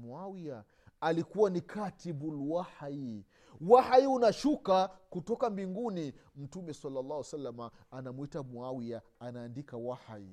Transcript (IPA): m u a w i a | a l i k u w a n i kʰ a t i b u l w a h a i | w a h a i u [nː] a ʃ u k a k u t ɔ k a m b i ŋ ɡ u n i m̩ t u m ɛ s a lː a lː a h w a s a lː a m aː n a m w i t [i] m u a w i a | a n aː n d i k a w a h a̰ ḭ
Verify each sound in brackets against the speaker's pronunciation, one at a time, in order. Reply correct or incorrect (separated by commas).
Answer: incorrect, incorrect